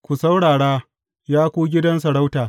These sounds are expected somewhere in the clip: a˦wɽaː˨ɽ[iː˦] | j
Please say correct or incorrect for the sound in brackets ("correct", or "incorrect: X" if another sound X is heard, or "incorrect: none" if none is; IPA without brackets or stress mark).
incorrect: aː˦